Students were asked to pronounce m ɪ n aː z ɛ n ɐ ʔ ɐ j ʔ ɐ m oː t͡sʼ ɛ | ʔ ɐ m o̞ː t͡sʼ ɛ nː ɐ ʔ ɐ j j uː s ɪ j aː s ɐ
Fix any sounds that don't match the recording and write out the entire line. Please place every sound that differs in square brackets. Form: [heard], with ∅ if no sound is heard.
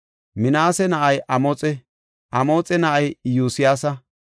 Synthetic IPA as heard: m ɪ n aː [s] ɛ n ɐ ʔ ɐ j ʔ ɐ m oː t͡sʼ ɛ | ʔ ɐ m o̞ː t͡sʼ ɛ [n] ɐ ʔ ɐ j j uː s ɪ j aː s ɐ